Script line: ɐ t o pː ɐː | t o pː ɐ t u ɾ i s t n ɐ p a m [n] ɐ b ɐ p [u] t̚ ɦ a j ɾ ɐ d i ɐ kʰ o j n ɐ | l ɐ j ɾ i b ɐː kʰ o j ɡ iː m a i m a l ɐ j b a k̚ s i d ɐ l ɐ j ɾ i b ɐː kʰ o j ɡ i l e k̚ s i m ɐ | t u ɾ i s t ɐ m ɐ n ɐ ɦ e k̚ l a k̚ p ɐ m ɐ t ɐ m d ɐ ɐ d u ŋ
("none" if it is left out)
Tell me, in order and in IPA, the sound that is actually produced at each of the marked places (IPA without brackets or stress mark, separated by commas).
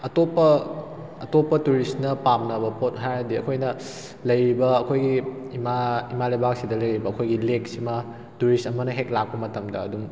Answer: n, o